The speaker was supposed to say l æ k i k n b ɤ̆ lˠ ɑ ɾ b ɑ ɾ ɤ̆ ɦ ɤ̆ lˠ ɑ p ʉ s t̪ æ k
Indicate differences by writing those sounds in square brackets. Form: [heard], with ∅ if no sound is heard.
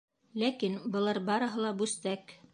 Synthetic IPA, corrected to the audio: l æ k i [∅] n b ɤ̆ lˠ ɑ ɾ b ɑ ɾ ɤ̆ ɦ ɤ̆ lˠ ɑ [b] ʉ s t̪ æ k